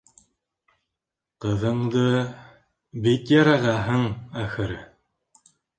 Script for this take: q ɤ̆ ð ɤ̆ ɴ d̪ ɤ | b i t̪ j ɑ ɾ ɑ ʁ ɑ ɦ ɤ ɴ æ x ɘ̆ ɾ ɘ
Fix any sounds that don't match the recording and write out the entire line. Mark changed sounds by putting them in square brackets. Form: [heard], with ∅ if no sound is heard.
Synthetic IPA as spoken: q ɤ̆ ð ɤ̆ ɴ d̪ ɤ | b i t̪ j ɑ ɾ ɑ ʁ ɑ ɦ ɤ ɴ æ x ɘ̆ ɾ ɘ